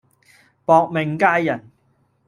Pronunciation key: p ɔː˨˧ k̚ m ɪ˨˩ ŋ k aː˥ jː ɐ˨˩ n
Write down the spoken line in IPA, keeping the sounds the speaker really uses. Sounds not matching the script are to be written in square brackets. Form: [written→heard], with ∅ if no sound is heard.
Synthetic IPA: p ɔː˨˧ k̚ m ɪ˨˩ ŋ k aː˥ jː ɐ˨˩ n